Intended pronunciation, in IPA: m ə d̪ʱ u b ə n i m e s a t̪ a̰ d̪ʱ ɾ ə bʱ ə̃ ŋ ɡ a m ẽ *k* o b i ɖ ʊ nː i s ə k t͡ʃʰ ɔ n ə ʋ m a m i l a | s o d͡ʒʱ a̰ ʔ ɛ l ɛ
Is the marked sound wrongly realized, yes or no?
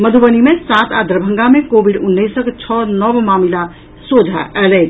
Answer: no